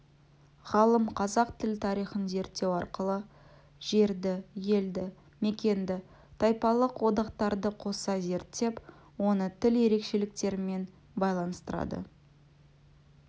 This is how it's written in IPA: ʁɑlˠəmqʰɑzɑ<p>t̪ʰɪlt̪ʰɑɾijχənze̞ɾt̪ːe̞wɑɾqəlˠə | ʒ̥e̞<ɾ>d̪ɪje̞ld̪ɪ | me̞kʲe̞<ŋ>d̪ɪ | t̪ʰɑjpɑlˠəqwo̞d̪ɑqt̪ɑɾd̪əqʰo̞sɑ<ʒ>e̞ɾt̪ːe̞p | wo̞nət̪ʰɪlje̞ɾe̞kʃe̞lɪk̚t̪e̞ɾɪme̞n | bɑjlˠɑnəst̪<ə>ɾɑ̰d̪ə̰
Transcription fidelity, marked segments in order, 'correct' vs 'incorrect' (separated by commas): incorrect, correct, incorrect, incorrect, correct